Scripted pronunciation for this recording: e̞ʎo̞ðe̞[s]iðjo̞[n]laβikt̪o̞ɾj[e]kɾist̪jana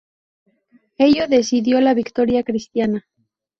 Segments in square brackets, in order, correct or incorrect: correct, incorrect: none, incorrect: a

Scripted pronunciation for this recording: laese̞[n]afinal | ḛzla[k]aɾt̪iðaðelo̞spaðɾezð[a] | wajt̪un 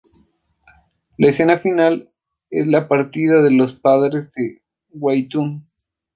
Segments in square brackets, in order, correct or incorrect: correct, incorrect: p, incorrect: e

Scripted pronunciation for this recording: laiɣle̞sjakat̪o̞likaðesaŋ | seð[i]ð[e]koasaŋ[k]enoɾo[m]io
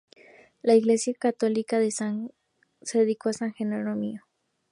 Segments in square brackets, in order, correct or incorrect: incorrect: e, incorrect: i, incorrect: x, correct

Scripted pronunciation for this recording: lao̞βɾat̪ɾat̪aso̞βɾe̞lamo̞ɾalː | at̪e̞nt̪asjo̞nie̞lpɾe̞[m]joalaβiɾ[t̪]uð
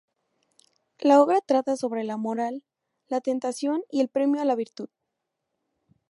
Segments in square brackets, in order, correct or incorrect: correct, correct

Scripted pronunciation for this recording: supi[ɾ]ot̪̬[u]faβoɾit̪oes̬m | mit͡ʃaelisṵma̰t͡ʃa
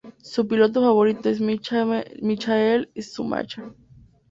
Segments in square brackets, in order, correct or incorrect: incorrect: l, incorrect: o

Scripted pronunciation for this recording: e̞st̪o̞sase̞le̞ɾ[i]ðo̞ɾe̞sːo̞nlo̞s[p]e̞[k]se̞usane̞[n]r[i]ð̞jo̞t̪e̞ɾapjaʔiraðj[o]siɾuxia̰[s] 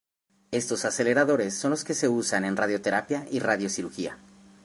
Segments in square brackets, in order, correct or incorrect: incorrect: a, incorrect: k, incorrect: none, correct, incorrect: a, correct, incorrect: none

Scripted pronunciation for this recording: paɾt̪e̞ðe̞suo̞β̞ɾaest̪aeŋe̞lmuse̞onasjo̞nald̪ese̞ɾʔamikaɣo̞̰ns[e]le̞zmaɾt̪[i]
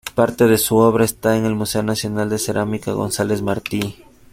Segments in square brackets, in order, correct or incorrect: incorrect: a, correct

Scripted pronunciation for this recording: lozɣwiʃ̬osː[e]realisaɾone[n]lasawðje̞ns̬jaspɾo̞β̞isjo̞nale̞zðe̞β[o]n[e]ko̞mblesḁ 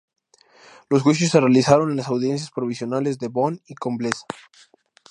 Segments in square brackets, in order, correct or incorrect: correct, correct, correct, incorrect: i

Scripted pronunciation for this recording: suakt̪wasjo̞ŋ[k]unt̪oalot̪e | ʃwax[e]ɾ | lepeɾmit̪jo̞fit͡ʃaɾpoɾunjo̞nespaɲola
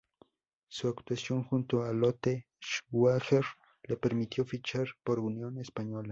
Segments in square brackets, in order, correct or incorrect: incorrect: x, correct

